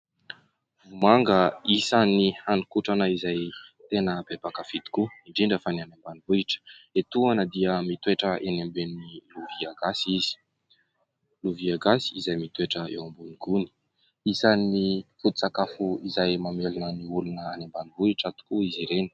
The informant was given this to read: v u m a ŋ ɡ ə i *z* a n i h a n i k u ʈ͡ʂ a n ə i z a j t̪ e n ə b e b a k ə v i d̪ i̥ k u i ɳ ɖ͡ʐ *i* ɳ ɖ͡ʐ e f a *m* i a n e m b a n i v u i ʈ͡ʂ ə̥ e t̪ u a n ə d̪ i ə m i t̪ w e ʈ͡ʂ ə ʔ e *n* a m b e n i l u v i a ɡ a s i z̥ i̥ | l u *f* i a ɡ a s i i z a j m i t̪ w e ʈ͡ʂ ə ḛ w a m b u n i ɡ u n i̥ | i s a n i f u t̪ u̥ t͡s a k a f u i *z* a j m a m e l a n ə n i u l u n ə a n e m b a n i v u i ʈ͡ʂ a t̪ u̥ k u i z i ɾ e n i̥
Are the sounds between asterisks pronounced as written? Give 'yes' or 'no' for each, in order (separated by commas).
no, yes, no, yes, no, yes